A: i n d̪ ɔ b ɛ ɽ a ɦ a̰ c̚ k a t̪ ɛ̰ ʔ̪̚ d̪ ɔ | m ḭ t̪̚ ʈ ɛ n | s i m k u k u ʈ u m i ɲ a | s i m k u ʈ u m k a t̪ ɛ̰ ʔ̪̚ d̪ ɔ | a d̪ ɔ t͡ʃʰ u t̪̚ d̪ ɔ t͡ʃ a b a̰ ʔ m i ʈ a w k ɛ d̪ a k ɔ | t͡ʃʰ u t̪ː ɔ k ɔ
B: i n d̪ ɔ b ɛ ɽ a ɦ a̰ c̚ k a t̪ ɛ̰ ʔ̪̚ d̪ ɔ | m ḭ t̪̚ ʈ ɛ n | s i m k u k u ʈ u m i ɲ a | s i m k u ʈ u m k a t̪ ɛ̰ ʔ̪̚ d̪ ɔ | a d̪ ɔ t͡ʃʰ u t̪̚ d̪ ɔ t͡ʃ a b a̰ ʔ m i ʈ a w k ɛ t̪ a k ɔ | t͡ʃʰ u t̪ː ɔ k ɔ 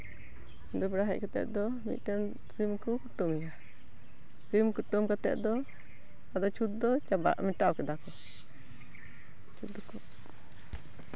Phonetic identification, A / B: A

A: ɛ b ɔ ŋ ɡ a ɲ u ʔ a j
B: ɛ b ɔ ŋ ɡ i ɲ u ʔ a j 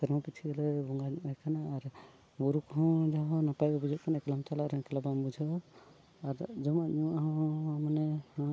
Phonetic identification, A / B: A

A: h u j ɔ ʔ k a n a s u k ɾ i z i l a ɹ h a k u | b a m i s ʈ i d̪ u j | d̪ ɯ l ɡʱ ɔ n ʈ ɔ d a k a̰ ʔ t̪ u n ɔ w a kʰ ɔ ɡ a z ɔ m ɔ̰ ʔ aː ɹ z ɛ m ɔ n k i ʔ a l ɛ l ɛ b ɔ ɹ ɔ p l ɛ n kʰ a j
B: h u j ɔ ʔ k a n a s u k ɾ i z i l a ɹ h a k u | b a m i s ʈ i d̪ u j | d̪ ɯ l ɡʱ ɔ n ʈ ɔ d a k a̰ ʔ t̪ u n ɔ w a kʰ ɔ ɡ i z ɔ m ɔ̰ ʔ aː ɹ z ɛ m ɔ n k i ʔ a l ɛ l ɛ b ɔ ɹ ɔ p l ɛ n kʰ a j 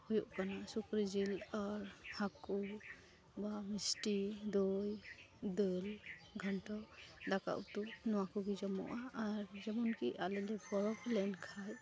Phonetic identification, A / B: B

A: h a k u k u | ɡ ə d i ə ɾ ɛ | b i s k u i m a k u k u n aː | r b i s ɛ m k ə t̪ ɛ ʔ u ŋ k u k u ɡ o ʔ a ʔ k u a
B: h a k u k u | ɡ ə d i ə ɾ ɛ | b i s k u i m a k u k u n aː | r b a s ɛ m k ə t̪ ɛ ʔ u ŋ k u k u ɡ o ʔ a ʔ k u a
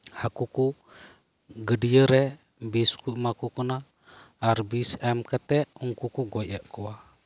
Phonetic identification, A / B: A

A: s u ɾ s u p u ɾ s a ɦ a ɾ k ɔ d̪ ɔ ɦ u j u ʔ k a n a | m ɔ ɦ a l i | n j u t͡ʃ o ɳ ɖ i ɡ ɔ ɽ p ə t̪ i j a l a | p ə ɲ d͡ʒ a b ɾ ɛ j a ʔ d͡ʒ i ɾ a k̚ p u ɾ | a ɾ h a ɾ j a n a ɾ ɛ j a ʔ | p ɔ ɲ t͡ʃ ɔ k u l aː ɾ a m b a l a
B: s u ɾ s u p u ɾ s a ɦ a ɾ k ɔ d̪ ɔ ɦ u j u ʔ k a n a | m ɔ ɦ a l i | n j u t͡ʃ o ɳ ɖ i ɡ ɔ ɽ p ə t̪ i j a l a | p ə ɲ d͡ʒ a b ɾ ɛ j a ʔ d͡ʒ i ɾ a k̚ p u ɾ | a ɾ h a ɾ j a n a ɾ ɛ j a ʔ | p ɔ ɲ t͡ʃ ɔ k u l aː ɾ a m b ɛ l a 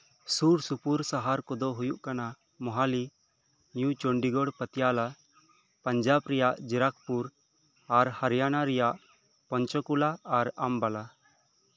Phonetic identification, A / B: A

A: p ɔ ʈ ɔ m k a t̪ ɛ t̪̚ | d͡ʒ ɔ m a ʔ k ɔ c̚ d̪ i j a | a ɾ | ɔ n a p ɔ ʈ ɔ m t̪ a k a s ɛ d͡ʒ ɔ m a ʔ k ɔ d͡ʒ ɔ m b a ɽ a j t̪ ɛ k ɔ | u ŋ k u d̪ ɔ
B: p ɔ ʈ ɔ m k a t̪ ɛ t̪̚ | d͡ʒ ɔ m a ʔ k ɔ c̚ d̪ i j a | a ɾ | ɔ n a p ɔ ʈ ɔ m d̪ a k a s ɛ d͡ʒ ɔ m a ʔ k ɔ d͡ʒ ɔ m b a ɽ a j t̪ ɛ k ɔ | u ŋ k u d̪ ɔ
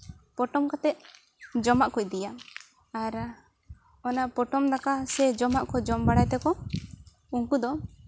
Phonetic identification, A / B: B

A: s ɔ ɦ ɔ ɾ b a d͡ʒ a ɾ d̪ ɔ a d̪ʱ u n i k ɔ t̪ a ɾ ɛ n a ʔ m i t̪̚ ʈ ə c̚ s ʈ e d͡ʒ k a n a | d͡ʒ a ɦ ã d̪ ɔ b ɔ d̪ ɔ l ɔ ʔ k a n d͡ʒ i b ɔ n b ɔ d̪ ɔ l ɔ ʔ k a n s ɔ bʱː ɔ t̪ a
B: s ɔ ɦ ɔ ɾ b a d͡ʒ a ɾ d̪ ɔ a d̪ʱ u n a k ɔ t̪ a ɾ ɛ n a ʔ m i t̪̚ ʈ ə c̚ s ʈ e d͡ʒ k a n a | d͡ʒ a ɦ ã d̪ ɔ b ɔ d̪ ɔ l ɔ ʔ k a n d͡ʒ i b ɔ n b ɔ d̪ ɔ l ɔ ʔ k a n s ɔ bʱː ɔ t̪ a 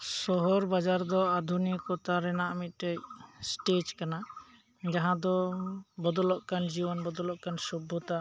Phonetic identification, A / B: A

